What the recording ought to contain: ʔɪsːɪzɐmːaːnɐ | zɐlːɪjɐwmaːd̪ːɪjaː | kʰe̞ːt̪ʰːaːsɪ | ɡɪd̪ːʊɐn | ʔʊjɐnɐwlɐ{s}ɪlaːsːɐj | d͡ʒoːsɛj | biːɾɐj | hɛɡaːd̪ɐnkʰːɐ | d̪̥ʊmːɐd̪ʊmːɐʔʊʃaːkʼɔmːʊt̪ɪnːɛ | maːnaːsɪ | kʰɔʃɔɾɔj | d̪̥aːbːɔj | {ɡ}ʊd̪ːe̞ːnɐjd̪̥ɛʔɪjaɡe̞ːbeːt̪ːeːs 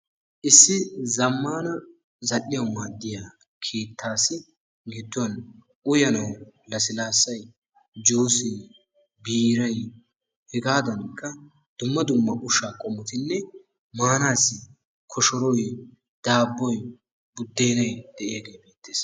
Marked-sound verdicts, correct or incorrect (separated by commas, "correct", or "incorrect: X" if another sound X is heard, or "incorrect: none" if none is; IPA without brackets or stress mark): correct, incorrect: b